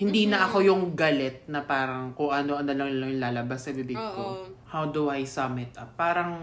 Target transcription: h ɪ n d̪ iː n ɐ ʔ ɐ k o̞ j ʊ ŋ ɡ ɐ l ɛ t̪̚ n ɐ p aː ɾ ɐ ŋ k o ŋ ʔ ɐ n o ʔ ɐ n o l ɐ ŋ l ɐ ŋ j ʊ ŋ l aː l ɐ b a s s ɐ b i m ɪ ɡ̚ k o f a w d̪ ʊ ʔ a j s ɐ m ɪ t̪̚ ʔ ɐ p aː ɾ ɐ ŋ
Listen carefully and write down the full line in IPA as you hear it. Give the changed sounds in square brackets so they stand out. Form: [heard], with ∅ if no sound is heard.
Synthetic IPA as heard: h ɪ n d̪ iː n ɐ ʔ ɐ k o̞ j ʊ ŋ ɡ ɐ l ɛ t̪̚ n ɐ p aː ɾ ɐ ŋ k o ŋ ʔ ɐ n o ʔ ɐ n o l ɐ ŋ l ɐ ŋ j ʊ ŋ l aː l ɐ b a s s ɐ b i [b] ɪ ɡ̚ k o [h] a w d̪ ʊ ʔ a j s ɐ m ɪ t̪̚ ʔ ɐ p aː ɾ ɐ ŋ